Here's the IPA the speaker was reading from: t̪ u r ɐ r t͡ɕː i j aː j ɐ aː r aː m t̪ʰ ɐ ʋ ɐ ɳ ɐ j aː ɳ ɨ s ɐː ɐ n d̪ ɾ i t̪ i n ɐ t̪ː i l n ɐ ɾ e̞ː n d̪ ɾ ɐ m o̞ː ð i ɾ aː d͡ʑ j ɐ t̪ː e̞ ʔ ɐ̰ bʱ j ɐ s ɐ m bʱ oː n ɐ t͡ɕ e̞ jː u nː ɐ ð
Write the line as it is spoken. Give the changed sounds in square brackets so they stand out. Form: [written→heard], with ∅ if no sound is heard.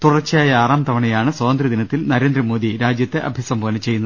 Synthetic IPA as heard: t̪ u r ɐ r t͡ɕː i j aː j ɐ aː r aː m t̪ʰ ɐ ʋ ɐ ɳ ɐ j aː ɳ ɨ s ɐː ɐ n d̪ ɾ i [t̪→d̪] i n ɐ t̪ː i l n ɐ ɾ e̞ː n d̪ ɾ ɐ m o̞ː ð i ɾ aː d͡ʑ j ɐ t̪ː e̞ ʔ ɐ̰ bʱ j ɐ s ɐ m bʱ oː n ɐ t͡ɕ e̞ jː u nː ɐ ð